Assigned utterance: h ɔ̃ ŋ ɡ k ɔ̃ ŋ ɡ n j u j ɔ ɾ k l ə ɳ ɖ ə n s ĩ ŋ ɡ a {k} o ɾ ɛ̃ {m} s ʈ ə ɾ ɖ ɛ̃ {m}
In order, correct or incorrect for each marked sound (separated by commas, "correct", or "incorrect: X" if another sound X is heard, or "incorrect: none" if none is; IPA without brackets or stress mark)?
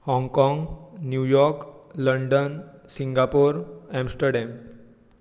incorrect: p, correct, correct